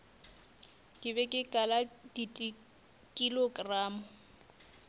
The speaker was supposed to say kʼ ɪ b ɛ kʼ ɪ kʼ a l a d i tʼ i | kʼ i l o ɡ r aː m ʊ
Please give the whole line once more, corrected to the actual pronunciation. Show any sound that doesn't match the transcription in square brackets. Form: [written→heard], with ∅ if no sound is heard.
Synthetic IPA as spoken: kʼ ɪ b ɛ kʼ ɪ kʼ a l a d i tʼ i | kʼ i l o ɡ r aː m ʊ